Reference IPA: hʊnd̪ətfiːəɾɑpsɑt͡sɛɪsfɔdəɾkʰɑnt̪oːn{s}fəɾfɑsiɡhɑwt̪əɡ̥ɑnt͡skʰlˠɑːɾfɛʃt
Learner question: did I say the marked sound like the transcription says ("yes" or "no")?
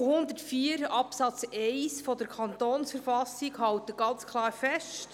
yes